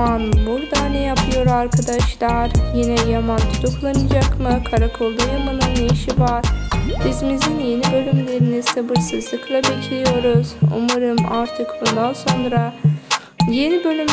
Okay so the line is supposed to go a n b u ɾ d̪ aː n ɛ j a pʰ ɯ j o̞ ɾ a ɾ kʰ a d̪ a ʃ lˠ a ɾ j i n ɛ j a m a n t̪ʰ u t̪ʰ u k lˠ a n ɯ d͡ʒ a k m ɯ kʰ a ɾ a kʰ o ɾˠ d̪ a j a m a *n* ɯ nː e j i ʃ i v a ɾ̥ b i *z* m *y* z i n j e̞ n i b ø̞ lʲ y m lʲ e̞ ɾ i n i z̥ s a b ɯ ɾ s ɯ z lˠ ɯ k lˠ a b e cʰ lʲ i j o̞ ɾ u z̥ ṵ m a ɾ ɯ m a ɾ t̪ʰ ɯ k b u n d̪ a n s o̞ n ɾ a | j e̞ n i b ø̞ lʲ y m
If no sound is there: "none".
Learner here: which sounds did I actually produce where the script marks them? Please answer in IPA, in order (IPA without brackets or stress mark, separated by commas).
n, z, i